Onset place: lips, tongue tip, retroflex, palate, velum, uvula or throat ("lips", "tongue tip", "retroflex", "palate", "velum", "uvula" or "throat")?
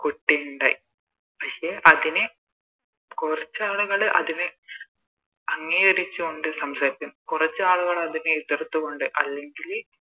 velum